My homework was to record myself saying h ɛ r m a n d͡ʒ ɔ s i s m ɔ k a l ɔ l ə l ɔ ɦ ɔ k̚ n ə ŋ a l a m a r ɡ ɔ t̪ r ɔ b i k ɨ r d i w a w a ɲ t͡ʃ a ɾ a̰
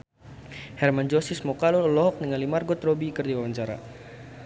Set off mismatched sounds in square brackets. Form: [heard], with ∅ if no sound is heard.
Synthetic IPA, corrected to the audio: h ɛ r m a n d͡ʒ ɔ s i s m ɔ k a l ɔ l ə l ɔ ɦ ɔ k̚ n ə ŋ a l [i] m a r ɡ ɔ t̪ r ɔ b i k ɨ r d i w a w a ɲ t͡ʃ a ɾ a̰